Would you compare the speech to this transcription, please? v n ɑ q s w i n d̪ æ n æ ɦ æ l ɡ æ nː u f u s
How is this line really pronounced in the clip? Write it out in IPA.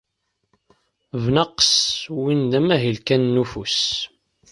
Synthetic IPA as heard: v n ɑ q s w i n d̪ æ m æ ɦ i l k æ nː u f u s

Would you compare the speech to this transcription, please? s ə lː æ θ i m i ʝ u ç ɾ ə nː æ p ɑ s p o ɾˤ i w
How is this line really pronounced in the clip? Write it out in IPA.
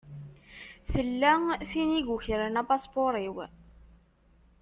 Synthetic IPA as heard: θ ə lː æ θ i n i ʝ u ç ɾ ə n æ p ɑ s p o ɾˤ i w

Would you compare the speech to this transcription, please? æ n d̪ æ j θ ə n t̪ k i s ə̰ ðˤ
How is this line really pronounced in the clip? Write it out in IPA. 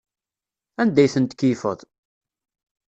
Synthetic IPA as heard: æ n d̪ æ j θ ə n t̪ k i f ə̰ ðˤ

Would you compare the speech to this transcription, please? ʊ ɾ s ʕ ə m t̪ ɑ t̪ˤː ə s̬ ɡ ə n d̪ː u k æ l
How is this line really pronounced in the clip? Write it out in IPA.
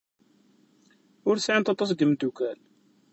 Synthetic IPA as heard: ʊ ɾ s ʕ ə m t̪ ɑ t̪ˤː ɑ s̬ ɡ ə m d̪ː u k æ l

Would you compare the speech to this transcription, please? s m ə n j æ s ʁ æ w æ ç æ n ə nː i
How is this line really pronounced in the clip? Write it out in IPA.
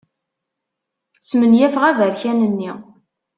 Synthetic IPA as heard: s m ə n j æ f ʁ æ v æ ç æ n ə nː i

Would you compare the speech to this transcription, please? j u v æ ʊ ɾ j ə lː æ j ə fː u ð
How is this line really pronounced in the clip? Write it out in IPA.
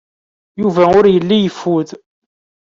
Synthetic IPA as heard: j u v æ ʊ ɾ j ə lː i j ə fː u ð

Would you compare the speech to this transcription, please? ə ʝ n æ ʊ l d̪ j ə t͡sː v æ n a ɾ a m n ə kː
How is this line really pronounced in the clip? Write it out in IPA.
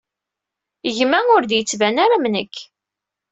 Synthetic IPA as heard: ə ʝ m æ ʊ ɾ d̪ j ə t͡sː v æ n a ɾ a m n ə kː

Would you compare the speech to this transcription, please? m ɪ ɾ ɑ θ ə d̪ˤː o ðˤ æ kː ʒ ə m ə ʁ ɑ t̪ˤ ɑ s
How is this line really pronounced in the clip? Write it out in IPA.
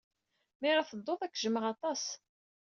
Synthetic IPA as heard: m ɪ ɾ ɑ θ ə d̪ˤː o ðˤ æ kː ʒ ə m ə ʁ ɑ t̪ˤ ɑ s

